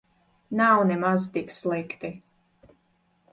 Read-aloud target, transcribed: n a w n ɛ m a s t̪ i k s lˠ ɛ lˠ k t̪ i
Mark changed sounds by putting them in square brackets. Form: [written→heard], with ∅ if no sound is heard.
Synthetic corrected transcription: n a w n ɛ m a [s→z] t̪ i k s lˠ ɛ [lˠ→∅] k t̪ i